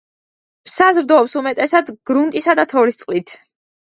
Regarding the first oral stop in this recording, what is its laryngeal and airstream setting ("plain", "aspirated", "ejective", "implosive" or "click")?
plain